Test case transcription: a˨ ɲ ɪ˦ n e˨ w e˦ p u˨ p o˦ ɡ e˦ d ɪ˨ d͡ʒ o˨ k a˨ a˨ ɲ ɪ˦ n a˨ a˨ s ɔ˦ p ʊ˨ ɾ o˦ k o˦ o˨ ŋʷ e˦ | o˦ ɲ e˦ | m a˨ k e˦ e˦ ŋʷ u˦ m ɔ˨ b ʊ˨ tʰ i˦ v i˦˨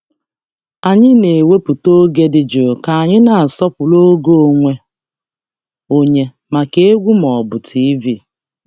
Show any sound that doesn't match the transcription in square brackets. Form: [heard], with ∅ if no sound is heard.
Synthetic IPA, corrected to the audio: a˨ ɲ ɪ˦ n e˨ w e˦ p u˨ [t] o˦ ɡ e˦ d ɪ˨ d͡ʒ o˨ k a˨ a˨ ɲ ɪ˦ n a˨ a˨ s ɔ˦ p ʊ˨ [l] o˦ [ɡ] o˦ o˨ ŋʷ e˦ | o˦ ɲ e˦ | m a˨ k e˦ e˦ [ɡʷ] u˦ m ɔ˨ b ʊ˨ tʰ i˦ v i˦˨

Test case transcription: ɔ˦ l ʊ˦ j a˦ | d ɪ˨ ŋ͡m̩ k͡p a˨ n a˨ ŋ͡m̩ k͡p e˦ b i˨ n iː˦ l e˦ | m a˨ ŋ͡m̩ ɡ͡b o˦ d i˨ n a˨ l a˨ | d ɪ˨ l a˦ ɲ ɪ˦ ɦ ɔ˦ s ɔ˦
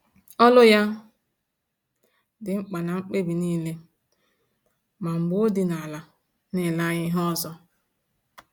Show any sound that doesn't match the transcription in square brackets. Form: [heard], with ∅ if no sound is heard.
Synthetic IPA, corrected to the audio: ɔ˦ l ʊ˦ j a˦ | d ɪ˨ ŋ͡m̩ k͡p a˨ n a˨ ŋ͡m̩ k͡p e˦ b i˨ n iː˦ l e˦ | m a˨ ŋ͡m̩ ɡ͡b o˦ d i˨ n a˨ l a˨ | [n] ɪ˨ l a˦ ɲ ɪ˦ ɦ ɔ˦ [z] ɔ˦

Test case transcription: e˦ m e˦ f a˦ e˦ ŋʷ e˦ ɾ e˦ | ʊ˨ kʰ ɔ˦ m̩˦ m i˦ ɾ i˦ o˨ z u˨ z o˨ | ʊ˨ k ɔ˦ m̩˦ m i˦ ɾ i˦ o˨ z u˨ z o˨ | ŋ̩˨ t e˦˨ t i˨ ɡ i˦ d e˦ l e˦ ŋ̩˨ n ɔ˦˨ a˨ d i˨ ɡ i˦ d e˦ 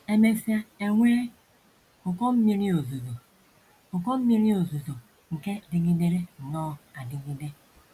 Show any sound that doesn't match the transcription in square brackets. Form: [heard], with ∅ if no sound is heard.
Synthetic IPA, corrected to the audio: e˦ m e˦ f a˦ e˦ ŋʷ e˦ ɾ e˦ | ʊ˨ [k] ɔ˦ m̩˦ m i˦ ɾ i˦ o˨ z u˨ z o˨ | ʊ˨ k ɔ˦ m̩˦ m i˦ ɾ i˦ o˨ z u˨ z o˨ | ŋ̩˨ [k] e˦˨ [d] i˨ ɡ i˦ d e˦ [ɾ] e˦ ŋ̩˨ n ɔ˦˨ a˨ d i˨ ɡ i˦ d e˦

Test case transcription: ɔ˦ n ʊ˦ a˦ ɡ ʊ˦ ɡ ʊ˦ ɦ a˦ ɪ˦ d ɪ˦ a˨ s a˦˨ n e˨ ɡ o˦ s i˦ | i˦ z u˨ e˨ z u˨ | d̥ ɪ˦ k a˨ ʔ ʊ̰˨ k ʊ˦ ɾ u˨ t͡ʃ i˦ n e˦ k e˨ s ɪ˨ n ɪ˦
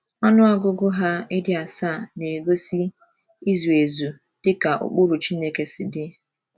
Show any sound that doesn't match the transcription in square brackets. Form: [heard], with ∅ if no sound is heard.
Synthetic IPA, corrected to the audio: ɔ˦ n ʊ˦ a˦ ɡ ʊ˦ ɡ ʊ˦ ɦ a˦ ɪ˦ d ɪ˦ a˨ s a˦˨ n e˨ ɡ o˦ s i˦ | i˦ z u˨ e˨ z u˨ | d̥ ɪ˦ k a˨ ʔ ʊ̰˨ [k͡p] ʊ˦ ɾ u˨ t͡ʃ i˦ n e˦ k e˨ s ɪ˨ [d] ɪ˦

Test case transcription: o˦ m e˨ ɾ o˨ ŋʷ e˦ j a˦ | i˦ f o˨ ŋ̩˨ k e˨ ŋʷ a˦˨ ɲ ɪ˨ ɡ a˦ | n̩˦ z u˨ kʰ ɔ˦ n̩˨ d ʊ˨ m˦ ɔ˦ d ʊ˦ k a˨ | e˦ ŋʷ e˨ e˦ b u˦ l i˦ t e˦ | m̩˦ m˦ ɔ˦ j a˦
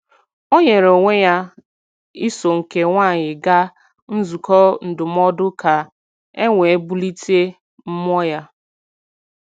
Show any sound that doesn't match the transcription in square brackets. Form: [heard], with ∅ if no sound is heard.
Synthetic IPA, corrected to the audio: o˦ [ɲ] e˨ ɾ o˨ ŋʷ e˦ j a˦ | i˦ [s] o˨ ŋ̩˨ k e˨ ŋʷ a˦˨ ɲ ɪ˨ ɡ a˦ | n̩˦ z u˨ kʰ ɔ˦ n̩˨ d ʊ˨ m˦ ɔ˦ d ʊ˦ k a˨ | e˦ ŋʷ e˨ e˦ b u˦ l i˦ t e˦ | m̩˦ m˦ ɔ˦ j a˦

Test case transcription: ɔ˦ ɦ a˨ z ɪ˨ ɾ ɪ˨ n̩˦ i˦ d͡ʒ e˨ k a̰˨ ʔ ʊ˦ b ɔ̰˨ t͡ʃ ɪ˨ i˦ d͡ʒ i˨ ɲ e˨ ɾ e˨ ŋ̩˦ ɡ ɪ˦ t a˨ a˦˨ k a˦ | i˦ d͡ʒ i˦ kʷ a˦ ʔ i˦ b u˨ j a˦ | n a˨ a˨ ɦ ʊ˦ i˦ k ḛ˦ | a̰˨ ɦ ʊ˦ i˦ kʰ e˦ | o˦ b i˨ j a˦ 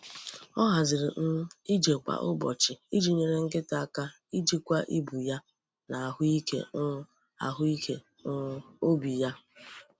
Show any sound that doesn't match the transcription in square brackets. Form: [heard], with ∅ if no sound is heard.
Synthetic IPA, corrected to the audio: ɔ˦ ɦ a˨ z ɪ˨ ɾ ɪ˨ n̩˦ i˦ d͡ʒ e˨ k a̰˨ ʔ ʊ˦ b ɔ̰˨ t͡ʃ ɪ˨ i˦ d͡ʒ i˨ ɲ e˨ ɾ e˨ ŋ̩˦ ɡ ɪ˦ t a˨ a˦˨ k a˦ | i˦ d͡ʒ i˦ kʷ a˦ ʔ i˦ b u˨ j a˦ | n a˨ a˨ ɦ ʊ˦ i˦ k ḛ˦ | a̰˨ ɦ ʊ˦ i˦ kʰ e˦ | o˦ b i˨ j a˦

